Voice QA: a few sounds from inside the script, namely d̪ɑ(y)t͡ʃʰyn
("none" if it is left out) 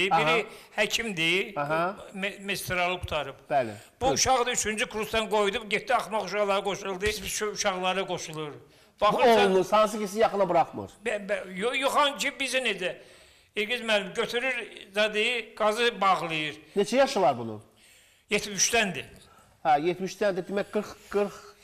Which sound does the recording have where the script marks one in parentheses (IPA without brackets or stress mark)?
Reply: y